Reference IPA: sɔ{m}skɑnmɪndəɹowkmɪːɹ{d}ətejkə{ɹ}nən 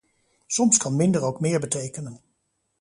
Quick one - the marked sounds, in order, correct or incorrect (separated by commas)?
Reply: correct, incorrect, incorrect